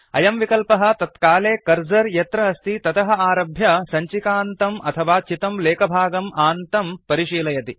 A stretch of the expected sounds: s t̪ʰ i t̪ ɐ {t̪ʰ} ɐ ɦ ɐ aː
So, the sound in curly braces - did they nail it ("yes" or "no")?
no